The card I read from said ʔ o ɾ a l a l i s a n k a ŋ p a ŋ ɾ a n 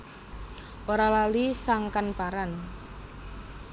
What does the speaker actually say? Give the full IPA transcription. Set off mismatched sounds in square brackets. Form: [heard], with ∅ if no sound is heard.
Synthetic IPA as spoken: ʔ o ɾ a l a l i s a [ŋ] k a [n] p a [∅] ɾ a n